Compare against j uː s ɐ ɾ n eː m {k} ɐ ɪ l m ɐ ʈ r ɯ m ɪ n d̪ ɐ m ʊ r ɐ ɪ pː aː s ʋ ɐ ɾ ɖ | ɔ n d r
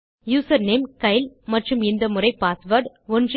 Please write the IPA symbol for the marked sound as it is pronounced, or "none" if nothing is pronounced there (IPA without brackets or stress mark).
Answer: k